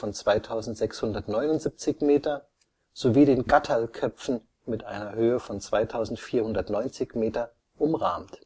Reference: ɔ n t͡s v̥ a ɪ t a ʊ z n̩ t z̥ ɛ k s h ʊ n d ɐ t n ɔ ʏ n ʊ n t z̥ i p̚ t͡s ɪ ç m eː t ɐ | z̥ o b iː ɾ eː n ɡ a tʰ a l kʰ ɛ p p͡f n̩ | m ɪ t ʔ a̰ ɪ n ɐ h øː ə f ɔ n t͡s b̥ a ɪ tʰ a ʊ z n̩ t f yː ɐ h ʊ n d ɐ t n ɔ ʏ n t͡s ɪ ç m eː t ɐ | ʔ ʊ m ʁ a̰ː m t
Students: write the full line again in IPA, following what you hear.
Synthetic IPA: ɔ n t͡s v̥ a ɪ tʰ a ʊ z n̩ t z̥ ɛ k s h ʊ n d ɐ t n ɔ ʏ n ʊ n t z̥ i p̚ t͡s ɪ ç m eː t ɐ | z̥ o v iː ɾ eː n ɡ a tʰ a l kʰ œ p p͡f n̩ | m ɪ t ʔ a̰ ɪ n ɐ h øː ə f ɔ n t͡s v̥ a ɪ tʰ a ʊ z n̩ t f iː ɐ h ʊ n d ɐ t n ɔ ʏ n t͡s ɪ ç m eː t ɐ | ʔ ʊ m ʁ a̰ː m t